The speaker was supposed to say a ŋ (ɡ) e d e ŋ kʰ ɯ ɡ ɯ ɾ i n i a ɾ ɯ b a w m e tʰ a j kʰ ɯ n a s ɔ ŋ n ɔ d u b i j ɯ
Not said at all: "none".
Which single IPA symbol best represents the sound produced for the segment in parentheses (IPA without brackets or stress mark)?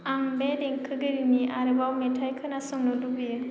b